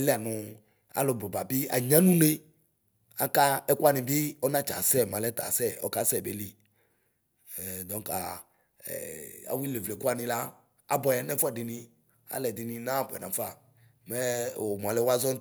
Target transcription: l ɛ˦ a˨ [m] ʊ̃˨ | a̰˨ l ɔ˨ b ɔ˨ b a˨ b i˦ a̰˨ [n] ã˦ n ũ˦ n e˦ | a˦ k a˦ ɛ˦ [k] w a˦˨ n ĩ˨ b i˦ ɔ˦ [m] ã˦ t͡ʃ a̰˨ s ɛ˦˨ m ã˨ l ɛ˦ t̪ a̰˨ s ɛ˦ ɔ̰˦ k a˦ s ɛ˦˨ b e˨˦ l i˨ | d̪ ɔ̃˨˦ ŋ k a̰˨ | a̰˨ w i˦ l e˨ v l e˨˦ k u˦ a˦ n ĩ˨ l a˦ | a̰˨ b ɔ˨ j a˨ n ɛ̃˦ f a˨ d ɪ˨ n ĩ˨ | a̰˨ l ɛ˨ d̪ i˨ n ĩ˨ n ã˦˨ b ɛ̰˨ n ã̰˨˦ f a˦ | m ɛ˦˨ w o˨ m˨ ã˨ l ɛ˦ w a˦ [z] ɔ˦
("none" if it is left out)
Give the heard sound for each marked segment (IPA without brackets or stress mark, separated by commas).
n, ɲ, k, n, z